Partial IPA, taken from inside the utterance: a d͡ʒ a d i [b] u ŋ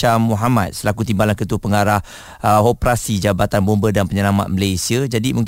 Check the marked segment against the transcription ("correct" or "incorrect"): incorrect